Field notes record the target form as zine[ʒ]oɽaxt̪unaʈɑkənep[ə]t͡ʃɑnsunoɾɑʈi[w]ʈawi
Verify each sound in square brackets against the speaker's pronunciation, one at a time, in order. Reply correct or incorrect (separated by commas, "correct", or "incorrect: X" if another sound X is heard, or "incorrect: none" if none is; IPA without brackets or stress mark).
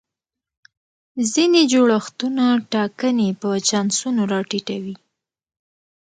incorrect: d͡ʒ, correct, incorrect: none